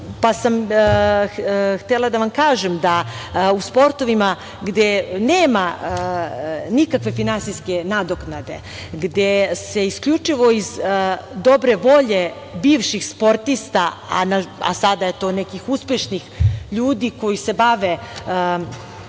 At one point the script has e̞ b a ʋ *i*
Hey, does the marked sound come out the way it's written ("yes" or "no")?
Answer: no